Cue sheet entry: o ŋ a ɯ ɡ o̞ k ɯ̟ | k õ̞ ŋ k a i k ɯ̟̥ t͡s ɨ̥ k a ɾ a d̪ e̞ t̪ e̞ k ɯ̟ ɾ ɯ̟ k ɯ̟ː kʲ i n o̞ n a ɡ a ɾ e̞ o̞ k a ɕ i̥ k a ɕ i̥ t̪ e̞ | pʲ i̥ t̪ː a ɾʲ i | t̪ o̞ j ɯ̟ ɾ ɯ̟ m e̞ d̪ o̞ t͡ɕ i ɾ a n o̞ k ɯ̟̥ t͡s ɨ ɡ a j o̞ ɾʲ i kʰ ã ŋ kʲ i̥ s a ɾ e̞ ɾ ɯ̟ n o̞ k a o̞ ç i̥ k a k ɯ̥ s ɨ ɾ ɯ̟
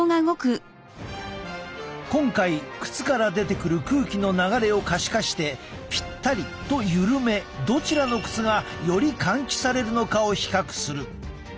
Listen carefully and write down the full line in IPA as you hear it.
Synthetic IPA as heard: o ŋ a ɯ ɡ o̞ k ɯ̟ | k õ̞ ŋ k a i k ɯ̟̥ t͡s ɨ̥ k a ɾ a d̪ e̞ t̪ e̞ k ɯ̟ ɾ ɯ̟ k ɯ̟ː kʲ i n o̞ n a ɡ a ɾ e̞ o̞ k a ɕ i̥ k a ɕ i̥ t̪ e̞ | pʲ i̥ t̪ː a ɾʲ i | t̪ o̞ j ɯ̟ ɾ ɯ̟ m e̞ d̪ o̞ t͡ɕ i ɾ a n o̞ k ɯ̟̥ t͡s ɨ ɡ a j o̞ ɾʲ i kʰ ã ŋ kʲ i̥ s a ɾ e̞ ɾ ɯ̟ n o̞ k a o̞ ç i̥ k a k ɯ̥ s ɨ ɾ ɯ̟